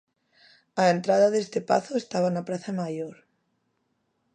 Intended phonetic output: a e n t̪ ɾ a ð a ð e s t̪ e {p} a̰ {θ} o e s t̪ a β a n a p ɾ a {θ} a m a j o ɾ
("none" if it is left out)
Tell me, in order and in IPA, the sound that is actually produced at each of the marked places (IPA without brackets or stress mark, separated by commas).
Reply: p, θ, θ